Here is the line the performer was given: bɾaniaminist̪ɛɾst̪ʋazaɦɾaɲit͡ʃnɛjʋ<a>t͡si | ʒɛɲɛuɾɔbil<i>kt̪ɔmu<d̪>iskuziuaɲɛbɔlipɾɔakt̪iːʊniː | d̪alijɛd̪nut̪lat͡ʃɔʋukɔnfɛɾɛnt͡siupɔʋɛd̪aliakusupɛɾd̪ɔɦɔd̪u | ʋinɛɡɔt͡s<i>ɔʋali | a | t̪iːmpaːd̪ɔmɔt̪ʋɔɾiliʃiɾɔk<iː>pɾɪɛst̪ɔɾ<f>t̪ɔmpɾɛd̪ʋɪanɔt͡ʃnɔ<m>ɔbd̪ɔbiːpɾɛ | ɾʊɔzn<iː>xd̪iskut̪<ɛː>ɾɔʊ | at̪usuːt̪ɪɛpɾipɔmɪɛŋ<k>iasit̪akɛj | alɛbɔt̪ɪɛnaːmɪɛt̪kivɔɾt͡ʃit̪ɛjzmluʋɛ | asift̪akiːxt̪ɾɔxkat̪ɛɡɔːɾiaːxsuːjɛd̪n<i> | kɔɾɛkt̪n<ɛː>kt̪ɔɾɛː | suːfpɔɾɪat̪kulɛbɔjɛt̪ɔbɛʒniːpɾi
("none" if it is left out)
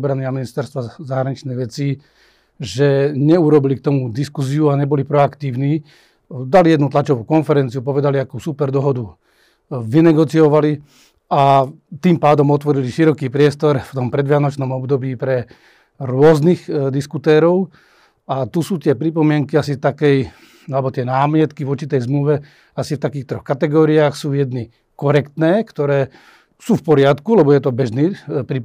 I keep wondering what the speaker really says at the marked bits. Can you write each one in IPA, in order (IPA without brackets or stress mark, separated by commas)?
ɛ, i, d̪, i, iː, f, m, i, ɛː, k, i, ɛː